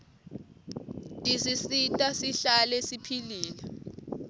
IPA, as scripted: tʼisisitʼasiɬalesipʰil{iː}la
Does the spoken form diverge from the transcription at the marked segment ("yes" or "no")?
no